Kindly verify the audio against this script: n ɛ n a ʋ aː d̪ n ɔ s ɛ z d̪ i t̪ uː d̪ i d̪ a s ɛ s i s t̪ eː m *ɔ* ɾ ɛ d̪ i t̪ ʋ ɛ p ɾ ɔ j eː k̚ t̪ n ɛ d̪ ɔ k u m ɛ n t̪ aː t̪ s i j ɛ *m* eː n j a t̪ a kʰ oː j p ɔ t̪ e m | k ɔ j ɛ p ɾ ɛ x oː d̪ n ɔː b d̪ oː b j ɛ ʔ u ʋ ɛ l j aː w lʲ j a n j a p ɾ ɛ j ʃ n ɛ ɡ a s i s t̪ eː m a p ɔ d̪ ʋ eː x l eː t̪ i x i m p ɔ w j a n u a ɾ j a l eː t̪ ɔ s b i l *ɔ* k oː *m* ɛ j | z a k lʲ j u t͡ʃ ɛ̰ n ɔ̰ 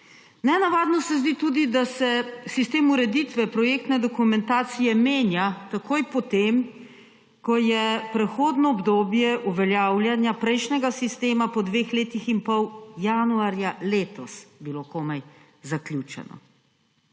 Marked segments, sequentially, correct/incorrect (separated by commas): incorrect, correct, incorrect, correct